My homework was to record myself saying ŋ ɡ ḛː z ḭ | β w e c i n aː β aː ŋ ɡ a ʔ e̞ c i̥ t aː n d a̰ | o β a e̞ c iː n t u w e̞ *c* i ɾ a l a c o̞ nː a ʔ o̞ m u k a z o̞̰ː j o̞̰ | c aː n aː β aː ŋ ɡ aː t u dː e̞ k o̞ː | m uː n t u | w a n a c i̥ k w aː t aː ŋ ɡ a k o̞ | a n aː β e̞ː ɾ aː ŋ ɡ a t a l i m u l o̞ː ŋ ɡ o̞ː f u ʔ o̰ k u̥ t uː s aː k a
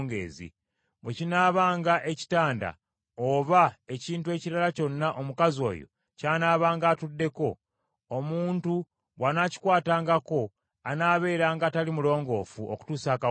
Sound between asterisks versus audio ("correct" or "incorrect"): correct